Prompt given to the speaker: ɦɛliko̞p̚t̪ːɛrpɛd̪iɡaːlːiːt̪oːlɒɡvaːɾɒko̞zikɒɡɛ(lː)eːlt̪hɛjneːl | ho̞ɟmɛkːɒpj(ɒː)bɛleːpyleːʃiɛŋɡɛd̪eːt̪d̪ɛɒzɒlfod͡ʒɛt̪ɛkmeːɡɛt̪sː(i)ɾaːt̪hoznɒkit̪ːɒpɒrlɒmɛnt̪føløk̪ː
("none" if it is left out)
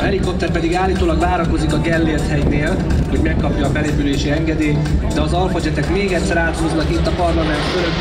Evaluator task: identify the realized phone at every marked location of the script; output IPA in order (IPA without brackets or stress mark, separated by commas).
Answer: lː, ɒː, ɛ